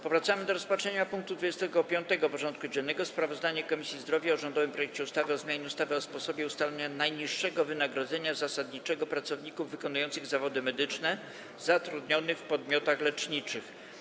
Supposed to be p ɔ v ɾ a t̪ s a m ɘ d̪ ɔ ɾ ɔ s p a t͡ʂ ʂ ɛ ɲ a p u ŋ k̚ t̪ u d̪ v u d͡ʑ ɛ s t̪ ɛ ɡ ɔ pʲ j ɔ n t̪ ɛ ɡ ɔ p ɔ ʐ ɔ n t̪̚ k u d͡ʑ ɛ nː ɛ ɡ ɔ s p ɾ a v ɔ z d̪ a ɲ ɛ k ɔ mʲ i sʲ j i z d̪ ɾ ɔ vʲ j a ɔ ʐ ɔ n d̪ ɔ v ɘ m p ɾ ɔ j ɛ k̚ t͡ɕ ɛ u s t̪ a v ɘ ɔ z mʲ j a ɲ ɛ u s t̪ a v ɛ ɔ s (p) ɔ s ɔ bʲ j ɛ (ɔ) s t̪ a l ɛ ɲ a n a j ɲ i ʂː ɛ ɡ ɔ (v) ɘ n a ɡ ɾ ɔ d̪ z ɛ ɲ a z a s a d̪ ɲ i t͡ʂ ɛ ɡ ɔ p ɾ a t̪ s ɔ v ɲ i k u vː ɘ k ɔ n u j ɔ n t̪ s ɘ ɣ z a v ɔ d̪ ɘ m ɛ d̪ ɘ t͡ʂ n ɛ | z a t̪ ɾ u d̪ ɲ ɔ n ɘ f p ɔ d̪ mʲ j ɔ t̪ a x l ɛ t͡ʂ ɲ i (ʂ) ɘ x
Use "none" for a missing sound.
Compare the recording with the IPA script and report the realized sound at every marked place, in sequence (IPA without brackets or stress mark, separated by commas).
p, u, v, t͡ʂ